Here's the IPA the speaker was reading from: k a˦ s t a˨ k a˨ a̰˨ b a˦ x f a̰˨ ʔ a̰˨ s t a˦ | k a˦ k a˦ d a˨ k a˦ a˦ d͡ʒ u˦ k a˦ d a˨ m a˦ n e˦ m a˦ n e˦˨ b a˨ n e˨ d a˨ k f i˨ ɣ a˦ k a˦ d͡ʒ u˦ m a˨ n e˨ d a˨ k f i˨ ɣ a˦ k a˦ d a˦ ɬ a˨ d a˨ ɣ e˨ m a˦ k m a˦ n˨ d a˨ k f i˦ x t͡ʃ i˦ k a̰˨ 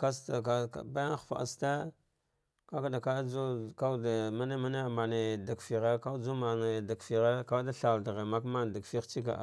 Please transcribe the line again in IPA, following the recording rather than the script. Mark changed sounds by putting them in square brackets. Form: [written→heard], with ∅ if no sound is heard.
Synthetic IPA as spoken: k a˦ s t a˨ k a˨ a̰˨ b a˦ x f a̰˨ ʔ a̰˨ s t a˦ | k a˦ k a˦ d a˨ k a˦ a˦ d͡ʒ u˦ k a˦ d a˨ m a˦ n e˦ m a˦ n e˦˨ [b→m] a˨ n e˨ d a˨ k f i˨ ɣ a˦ k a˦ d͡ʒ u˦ m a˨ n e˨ d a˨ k f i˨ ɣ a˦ k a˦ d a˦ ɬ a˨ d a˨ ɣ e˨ m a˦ k m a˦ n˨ d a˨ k f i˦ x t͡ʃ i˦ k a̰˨